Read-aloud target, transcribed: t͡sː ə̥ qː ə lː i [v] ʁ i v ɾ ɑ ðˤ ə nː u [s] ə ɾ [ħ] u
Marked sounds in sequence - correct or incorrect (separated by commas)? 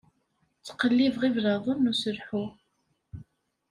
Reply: correct, correct, correct